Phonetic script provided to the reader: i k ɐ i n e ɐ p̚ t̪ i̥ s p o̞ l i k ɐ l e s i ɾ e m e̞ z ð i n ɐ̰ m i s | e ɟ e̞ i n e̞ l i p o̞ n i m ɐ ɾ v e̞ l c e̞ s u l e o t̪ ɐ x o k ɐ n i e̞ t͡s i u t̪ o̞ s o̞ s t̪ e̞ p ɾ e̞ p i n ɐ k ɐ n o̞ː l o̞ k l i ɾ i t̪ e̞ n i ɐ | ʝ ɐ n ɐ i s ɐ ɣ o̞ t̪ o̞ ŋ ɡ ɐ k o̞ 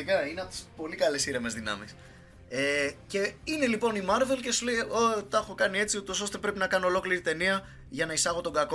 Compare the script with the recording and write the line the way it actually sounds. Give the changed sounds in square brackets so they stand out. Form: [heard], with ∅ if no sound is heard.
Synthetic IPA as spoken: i k ɐ i n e ɐ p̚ t̪ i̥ s p o̞ l i k ɐ l e s i ɾ e m e̞ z ð i n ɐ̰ m i s | e [c] e̞ i n e̞ l i p o̞ n i m ɐ ɾ v e̞ l c e̞ s u l e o t̪ ɐ x o k ɐ n i e̞ t͡s i u t̪ o̞ s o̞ s t̪ e̞ p ɾ e̞ p i n ɐ k ɐ n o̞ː l o̞ k l i ɾ i t̪ e̞ n i ɐ | ʝ ɐ n ɐ i s ɐ ɣ o̞ t̪ o̞ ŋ ɡ ɐ k o̞